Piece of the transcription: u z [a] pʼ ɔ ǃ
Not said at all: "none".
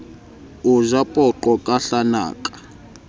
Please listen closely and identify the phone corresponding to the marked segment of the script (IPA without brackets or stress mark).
a